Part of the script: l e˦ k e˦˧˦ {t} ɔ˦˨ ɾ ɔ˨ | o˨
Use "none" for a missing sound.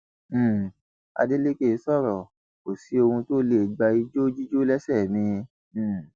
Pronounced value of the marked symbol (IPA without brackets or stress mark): s